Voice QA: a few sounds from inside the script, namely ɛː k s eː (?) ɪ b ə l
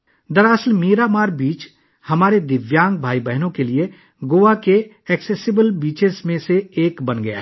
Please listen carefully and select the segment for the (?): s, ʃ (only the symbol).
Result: s